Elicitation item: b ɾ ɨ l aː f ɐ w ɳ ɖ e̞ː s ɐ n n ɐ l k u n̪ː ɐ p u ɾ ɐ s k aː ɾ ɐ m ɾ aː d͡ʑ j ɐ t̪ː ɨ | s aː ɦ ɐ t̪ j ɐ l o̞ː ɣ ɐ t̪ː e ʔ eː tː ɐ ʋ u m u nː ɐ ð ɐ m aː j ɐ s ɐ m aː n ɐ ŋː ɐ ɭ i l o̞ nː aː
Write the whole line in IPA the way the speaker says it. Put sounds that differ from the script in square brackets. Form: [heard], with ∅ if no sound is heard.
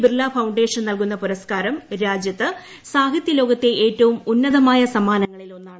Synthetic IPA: b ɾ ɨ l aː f ɐ w ɳ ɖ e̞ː [ʂ] ɐ n n ɐ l k u n̪ː ɐ p u ɾ ɐ s k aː ɾ ɐ m ɾ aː d͡ʑ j ɐ t̪ː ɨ | s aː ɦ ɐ t̪ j ɐ l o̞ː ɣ ɐ t̪ː e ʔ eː tː ɐ ʋ u m u nː ɐ ð ɐ m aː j ɐ s ɐ m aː n ɐ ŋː ɐ ɭ i l o̞ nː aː